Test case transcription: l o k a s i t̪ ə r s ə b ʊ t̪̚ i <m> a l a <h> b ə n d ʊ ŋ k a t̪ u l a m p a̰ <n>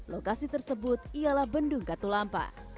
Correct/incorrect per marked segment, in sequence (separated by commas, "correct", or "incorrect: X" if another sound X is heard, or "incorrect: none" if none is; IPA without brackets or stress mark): incorrect: none, correct, incorrect: none